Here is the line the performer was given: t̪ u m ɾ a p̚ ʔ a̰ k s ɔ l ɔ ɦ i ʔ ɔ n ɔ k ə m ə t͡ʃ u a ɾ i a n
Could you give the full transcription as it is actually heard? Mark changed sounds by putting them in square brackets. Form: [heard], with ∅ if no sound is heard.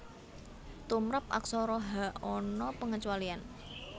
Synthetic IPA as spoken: t̪ u m ɾ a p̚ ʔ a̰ k s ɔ [ɾ] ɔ ɦ [a] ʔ ɔ n ɔ [p] ə [ŋ] ə t͡ʃ u a [l] i a n